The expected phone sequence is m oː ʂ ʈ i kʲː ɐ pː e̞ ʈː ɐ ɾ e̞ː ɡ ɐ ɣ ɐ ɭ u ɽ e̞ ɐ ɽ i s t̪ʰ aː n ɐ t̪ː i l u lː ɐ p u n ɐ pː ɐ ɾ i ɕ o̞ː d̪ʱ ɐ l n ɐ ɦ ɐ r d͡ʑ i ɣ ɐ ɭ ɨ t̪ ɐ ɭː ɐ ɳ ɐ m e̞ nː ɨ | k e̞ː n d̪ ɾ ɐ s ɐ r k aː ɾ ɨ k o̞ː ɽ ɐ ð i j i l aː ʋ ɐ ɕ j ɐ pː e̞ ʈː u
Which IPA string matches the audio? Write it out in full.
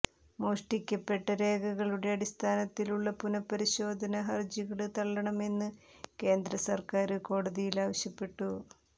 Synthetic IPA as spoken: m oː ʂ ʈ i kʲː ɐ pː e̞ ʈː ɐ ɾ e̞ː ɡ ɐ ɣ ɐ ɭ u ɽ e̞ ɐ ɽ i s t̪ʰ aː n ɐ t̪ː i l u ɭː ɐ p u n ɐ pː ɐ ɾ i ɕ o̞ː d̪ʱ ɐ n ɐ ɦ ɐ r d͡ʑ i ɣ ɐ ɭ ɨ t̪ ɐ ɭː ɐ ɳ ɐ m e̞ nː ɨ | k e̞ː n d̪ ɾ ɐ s ɐ r k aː ɾ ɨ k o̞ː ɽ ɐ ð i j i l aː ʋ ɐ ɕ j ɐ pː e̞ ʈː u